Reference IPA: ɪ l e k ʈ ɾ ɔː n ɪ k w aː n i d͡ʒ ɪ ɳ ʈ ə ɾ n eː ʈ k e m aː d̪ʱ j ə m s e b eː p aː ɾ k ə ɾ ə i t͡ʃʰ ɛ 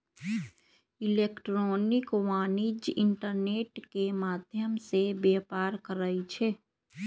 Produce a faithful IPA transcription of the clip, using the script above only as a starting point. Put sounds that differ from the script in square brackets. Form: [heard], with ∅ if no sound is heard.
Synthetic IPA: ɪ l e k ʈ ɾ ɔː n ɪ k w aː n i d͡ʒ ɪ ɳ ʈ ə ɾ n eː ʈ k e m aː d̪ʱ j ə m s e b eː p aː ɾ k ə ɾ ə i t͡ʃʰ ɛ